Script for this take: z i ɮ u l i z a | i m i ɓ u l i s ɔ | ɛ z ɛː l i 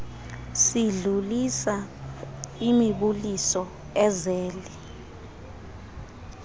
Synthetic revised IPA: s i ɮ u l i s a | i m i ɓ u l i s ɔ | ɛ z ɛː l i